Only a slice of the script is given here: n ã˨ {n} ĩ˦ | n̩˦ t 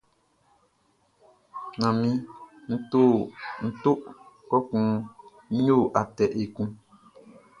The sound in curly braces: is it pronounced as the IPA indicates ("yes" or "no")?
no